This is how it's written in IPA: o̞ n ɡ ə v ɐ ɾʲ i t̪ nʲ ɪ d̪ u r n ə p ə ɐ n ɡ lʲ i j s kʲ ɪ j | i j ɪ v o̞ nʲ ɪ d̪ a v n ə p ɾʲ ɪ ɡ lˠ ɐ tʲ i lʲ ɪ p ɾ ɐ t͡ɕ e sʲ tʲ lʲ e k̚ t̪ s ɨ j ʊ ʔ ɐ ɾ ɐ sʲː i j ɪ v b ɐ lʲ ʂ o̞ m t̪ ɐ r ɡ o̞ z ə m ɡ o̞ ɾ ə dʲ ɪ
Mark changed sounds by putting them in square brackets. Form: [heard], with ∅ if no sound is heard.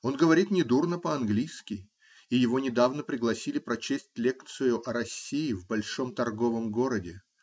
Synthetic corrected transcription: o̞ n ɡ ə v ɐ ɾʲ i t̪ nʲ ɪ d̪ u r n ə p ə ɐ n ɡ lʲ i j s kʲ ɪ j | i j ɪ v o̞ nʲ ɪ d̪ a v n ə p ɾʲ ɪ ɡ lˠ ɐ [sʲ] i lʲ ɪ p ɾ ɐ t͡ɕ e sʲ tʲ lʲ e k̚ t̪ s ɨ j ʊ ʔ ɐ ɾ ɐ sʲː i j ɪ v b ɐ lʲ ʂ o̞ m t̪ ɐ r ɡ o̞ [v] ə m ɡ o̞ ɾ ə dʲ ɪ